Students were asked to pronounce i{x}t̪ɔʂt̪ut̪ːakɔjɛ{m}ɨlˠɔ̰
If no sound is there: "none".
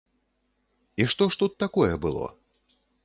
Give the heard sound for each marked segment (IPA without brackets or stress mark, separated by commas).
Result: ʂ, b